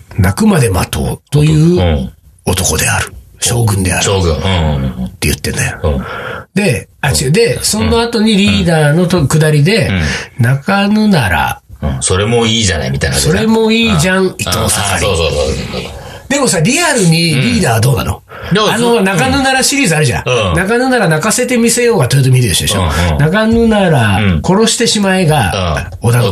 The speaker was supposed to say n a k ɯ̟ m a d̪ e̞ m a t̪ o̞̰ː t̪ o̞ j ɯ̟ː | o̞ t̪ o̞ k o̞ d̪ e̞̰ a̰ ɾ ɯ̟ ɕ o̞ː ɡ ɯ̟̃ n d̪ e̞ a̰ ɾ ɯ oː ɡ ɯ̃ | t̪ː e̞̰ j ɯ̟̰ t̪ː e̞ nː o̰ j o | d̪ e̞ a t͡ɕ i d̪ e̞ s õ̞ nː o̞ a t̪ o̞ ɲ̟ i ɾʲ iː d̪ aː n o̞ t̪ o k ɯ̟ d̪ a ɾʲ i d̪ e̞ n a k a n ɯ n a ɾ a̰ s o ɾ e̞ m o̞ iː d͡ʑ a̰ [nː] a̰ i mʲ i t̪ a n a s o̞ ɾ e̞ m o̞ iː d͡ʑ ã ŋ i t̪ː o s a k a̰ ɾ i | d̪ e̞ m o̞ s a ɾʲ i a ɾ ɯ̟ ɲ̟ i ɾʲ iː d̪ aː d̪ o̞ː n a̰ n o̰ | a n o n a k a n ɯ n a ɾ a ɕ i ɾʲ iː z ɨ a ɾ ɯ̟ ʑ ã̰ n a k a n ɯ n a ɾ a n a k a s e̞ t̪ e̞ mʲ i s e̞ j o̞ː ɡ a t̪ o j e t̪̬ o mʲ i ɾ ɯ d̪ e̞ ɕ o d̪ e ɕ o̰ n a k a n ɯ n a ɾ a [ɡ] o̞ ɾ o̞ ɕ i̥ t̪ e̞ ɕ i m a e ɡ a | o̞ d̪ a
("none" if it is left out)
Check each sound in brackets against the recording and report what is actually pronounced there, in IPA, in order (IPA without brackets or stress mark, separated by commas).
n, k